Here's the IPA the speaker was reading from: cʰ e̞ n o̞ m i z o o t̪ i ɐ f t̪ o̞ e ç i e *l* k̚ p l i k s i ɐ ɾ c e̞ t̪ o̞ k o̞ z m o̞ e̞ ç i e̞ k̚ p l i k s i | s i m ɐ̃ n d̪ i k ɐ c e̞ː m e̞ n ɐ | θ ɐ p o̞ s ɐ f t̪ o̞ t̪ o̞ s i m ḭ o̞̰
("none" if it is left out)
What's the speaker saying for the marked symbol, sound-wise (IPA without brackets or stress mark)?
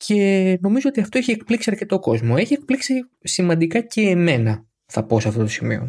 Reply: none